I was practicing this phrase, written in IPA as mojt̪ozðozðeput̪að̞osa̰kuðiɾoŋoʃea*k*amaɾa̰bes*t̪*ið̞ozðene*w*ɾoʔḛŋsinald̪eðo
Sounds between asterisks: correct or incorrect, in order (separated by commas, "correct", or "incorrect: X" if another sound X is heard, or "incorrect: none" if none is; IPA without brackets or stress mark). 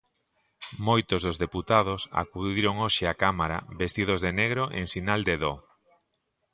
correct, correct, incorrect: ɣ